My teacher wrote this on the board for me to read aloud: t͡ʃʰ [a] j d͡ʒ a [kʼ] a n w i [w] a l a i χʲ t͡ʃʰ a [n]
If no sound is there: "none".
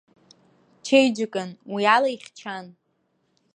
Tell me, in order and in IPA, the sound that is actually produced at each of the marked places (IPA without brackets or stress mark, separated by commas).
e, kʼ, none, n